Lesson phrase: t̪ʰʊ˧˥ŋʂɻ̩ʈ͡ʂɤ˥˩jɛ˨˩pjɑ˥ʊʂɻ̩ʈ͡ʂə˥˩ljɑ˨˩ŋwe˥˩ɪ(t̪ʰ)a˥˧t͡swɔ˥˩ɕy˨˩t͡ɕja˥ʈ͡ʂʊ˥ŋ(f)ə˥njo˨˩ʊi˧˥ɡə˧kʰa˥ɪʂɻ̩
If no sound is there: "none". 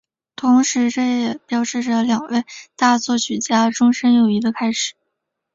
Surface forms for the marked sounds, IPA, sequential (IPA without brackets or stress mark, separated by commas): t̪, ʂ